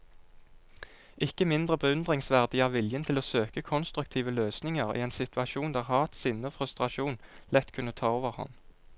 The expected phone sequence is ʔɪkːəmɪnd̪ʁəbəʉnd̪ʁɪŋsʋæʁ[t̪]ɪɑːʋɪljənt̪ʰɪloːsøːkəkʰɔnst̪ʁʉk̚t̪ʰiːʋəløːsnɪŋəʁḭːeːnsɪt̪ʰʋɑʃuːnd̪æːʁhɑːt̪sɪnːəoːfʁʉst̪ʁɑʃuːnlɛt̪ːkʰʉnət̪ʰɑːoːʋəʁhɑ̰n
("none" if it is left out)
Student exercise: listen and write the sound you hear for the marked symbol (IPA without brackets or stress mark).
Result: d̪